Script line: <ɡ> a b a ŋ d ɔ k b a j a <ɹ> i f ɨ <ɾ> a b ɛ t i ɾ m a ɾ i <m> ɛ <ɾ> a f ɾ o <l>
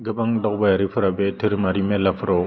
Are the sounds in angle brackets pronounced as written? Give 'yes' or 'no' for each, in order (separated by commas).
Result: yes, no, yes, yes, no, no